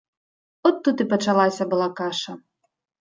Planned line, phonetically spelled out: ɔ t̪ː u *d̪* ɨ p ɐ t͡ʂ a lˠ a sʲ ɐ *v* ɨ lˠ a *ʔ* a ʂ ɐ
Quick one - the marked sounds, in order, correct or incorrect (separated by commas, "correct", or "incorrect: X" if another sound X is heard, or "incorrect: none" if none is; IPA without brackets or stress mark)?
incorrect: t̪, incorrect: b, incorrect: k